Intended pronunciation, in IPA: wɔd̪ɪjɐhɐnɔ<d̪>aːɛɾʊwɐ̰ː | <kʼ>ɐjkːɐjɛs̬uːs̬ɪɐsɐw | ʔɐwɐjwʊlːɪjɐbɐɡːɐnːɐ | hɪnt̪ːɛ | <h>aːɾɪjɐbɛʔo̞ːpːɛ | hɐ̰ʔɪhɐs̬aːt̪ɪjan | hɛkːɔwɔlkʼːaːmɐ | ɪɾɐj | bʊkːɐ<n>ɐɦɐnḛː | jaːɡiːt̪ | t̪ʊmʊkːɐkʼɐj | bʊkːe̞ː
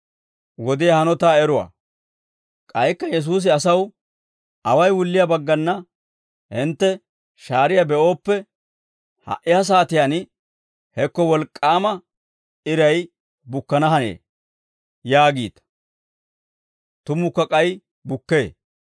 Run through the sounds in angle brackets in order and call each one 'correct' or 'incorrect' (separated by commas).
incorrect, correct, incorrect, correct